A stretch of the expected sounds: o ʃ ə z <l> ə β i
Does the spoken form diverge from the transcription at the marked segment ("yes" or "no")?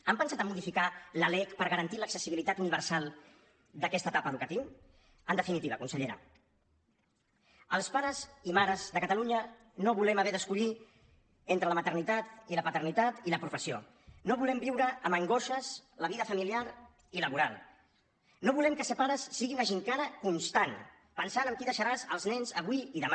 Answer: no